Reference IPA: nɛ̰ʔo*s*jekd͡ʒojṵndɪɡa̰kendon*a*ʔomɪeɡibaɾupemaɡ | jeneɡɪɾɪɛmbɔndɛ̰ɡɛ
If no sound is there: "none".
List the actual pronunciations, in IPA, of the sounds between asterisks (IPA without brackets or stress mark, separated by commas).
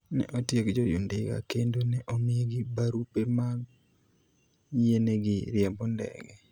t, ɛ